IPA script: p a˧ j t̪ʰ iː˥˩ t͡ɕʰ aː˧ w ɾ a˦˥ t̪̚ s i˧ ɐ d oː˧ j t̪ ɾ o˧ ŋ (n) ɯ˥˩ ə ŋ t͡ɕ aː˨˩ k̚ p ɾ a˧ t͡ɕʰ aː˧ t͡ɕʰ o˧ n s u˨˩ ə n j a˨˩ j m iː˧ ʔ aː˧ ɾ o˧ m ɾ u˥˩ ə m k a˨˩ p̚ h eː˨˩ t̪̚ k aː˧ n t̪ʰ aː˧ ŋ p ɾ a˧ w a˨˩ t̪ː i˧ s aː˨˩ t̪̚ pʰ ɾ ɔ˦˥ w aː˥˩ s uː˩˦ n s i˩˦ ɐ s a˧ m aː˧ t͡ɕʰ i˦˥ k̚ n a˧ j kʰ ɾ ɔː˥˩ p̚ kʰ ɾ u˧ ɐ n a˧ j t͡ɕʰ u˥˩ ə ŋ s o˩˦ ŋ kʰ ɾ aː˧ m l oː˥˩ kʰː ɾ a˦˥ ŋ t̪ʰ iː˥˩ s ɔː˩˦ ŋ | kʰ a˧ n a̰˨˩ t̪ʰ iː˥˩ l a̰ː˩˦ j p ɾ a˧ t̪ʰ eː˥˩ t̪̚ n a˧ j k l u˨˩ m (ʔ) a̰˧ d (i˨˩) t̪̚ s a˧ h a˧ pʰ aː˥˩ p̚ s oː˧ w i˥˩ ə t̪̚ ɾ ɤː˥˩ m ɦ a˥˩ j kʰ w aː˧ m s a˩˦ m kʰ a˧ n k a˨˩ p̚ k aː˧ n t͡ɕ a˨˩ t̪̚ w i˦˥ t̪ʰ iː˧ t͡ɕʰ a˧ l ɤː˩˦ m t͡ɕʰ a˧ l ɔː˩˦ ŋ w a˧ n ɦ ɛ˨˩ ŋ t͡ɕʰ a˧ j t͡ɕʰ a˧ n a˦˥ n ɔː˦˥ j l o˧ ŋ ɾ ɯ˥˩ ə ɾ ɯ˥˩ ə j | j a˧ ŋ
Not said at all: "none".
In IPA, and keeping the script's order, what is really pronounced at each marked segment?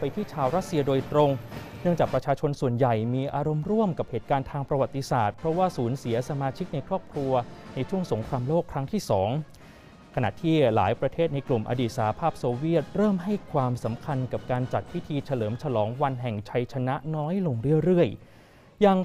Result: n, ʔ, iː˨˩

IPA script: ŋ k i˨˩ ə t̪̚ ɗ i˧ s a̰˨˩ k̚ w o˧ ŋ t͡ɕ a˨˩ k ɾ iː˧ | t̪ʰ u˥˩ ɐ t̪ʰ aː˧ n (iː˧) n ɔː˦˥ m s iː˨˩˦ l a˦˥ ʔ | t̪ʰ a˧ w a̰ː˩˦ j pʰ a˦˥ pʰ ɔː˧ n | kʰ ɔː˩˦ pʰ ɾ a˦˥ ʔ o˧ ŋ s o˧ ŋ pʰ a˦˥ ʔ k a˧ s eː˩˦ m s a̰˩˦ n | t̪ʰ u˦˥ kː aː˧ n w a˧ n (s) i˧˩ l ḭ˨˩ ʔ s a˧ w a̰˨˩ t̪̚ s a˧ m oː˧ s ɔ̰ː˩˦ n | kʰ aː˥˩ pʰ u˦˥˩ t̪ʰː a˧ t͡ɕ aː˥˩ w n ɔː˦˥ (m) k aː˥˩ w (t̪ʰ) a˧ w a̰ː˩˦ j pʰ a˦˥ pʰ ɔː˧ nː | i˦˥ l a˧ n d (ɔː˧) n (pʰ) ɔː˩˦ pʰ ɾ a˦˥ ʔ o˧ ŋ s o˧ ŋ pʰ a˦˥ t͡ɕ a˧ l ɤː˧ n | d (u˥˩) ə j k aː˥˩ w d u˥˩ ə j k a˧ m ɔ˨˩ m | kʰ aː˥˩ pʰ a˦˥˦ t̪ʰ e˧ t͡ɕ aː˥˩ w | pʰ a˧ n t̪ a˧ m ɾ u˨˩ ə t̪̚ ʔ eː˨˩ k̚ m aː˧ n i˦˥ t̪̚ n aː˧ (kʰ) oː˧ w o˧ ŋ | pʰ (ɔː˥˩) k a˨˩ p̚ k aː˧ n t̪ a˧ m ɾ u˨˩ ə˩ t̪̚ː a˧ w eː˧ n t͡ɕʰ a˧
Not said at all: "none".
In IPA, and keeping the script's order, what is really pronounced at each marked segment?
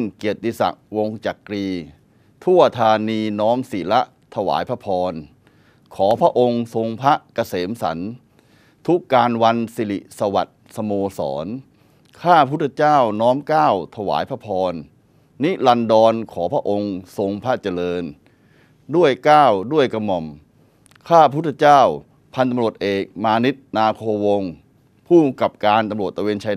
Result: iː˧, s, m, t̪ʰ, ɔː˧, kʰ, u˥˩, kʰ, uː˥˩

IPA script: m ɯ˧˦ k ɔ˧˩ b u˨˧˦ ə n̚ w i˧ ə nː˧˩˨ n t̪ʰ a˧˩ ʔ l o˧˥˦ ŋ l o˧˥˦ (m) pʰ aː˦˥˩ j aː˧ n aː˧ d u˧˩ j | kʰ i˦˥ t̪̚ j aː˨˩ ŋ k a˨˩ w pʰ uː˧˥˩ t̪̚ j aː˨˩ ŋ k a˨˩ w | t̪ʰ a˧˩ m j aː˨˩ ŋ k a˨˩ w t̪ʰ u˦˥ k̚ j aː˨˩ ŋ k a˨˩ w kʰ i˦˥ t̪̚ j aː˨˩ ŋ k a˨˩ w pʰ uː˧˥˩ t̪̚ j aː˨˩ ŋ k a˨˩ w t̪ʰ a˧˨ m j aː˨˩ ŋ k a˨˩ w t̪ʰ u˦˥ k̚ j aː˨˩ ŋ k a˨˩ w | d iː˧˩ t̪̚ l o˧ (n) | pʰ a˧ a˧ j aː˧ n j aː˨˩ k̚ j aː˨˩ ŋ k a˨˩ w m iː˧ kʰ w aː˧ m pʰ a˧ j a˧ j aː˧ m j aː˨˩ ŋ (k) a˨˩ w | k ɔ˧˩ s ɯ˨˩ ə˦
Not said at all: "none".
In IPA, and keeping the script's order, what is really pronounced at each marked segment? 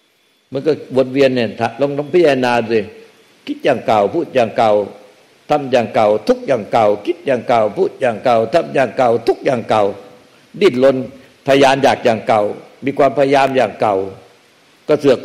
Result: ŋ, n, k

